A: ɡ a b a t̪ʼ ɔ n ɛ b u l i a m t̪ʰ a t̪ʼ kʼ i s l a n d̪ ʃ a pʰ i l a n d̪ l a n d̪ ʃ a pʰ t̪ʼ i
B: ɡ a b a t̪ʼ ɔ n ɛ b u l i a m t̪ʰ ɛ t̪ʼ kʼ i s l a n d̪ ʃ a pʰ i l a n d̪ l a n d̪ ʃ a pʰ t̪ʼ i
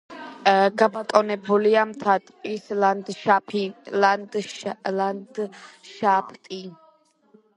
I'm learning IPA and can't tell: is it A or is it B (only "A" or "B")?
A